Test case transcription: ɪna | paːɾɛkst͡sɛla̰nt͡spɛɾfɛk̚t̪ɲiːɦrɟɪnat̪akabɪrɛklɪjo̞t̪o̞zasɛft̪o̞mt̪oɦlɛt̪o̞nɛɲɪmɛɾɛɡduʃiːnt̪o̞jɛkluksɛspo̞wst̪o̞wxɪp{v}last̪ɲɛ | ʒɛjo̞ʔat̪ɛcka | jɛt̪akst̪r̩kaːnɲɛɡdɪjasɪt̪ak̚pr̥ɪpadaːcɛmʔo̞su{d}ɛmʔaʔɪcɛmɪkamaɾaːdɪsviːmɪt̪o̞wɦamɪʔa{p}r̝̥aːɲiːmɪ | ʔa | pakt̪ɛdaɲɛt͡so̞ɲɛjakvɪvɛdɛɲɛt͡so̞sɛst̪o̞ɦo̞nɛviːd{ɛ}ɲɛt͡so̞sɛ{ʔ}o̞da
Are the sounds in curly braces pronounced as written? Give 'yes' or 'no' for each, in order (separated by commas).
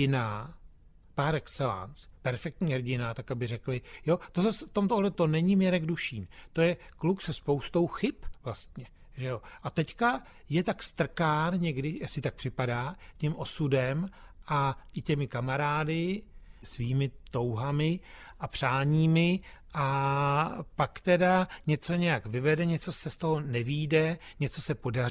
yes, yes, yes, yes, no